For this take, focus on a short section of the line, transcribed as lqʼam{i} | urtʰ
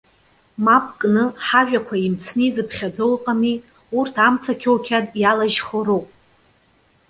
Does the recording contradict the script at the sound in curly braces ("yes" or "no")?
no